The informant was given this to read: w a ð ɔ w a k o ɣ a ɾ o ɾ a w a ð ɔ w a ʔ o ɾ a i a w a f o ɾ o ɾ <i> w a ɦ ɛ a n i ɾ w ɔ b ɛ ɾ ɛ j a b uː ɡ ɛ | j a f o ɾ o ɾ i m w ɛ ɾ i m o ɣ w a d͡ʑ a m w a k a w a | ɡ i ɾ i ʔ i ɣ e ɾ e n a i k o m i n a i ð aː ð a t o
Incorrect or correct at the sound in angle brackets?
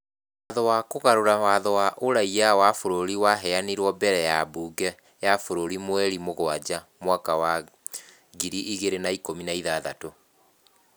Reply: correct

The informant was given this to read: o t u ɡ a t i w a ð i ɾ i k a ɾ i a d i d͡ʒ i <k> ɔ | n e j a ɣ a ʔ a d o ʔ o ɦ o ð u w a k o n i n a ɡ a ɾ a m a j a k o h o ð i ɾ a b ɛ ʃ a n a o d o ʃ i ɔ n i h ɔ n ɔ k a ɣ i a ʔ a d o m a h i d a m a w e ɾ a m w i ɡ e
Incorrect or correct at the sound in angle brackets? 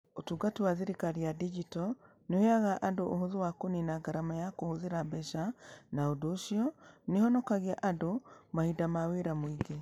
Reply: incorrect: t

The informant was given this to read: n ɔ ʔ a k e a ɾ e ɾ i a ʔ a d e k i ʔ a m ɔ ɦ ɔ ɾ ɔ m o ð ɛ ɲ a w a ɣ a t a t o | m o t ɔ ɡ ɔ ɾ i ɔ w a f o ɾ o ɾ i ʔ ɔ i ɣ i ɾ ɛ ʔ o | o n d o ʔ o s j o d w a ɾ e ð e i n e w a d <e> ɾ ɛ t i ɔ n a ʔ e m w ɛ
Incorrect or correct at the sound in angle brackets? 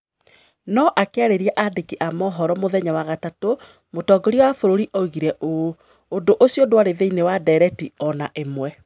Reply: incorrect: ɛ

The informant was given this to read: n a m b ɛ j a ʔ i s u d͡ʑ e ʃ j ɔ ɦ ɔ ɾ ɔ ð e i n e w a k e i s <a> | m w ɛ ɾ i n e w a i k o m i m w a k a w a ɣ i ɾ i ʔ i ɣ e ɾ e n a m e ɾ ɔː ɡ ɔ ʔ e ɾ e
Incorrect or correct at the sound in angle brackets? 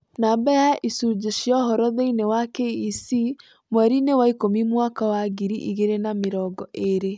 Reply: incorrect: i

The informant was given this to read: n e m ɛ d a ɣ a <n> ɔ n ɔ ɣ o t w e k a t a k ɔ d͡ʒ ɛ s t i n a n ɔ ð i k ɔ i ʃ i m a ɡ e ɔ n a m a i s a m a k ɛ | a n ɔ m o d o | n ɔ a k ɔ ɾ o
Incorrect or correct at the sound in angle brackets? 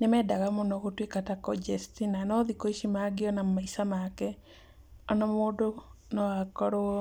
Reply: incorrect: m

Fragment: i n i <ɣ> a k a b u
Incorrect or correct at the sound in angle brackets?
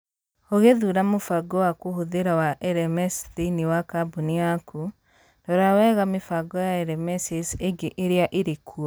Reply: incorrect: w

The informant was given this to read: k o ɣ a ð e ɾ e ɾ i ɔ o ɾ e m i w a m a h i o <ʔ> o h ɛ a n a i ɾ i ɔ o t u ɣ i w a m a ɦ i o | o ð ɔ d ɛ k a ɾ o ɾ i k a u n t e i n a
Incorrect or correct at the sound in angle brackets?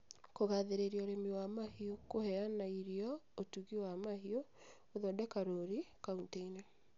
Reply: incorrect: k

